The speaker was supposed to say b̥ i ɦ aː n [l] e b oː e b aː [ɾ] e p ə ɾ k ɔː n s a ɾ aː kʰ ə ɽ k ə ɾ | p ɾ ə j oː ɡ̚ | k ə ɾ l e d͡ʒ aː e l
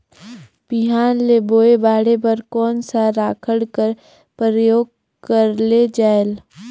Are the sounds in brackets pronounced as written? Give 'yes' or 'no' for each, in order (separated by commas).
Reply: yes, no